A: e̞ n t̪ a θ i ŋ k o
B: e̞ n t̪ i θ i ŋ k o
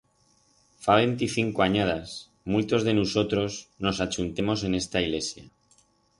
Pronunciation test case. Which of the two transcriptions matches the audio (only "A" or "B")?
B